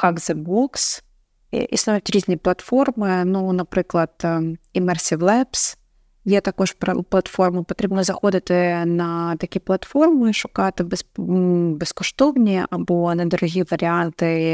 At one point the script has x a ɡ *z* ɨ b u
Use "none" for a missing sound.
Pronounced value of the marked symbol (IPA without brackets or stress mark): z